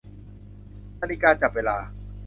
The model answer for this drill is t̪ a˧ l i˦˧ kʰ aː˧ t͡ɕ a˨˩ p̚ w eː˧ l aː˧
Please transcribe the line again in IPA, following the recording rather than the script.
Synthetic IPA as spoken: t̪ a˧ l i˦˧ k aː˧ t͡ɕ a˨˩ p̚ w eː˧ l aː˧